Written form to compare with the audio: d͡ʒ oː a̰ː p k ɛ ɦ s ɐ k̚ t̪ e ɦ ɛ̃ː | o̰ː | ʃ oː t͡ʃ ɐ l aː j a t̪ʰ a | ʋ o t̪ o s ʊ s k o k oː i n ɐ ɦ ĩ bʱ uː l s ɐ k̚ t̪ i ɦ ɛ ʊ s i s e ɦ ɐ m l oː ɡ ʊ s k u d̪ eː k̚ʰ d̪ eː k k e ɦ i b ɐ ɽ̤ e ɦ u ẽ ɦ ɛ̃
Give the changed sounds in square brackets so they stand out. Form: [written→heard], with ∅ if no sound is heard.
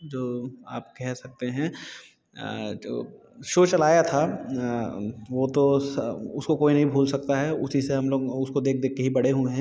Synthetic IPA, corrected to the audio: d͡ʒ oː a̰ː p k ɛ ɦ s ɐ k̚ t̪ e ɦ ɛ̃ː | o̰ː | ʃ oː t͡ʃ ɐ l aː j a t̪ʰ a | ʋ o t̪ o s ʊ s k o k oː i n ɐ ɦ ĩ bʱ uː l s ɐ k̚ t̪ [i→a] ɦ ɛ ʊ s i s e ɦ ɐ m l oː ɡ ʊ s k [u→o] d̪ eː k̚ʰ d̪ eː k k e ɦ i b ɐ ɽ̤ e ɦ u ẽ ɦ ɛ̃